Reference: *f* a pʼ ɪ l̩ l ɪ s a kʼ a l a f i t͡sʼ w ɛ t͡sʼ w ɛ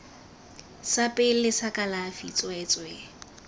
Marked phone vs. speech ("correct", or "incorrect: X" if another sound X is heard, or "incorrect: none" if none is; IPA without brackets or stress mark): incorrect: s